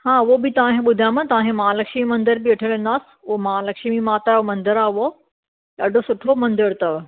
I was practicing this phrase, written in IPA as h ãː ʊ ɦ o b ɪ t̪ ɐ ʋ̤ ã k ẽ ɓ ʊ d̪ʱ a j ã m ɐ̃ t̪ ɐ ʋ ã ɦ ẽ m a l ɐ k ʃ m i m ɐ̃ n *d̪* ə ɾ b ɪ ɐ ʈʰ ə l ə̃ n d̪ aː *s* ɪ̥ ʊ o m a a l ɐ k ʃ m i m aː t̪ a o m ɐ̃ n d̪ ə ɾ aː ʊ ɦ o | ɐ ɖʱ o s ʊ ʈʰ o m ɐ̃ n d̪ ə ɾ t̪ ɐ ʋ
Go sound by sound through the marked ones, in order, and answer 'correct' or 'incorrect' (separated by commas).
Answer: correct, correct